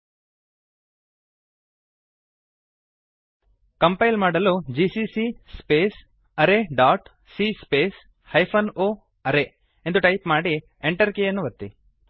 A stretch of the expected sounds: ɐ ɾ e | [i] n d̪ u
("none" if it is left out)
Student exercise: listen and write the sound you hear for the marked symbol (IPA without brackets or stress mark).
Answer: e